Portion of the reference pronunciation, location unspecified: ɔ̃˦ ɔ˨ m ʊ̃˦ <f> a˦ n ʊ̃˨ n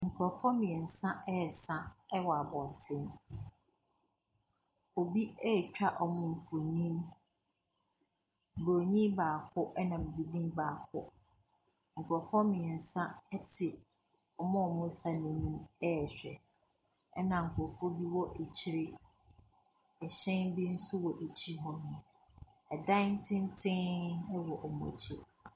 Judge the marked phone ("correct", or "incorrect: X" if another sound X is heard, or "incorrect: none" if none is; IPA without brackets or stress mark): incorrect: s